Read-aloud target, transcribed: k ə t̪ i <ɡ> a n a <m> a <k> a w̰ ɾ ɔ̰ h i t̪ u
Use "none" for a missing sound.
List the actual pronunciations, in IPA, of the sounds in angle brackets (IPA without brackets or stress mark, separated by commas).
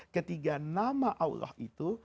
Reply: ɡ, m, ʔ